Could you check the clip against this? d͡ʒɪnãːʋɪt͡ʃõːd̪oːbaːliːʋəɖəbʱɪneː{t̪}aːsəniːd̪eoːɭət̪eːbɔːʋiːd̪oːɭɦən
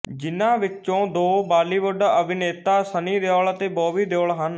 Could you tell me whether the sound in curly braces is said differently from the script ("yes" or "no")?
no